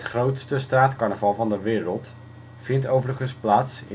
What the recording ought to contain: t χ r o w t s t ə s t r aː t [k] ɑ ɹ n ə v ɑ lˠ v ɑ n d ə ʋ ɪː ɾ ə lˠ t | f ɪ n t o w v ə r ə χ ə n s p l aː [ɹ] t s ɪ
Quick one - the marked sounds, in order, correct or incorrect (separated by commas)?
correct, incorrect